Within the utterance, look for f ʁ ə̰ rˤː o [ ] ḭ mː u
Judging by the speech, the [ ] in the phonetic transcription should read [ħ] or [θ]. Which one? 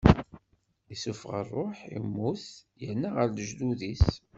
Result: ħ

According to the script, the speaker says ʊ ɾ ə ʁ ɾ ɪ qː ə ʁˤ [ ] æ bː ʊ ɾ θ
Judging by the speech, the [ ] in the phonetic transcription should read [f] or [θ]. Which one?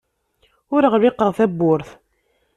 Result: θ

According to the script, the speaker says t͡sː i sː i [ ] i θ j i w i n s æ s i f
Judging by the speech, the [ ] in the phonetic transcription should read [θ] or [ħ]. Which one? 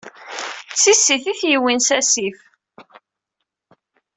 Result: θ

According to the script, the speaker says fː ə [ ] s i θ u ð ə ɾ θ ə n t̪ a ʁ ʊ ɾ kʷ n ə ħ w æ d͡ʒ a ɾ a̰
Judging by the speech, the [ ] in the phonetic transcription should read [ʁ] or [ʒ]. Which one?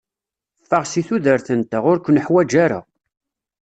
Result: ʁ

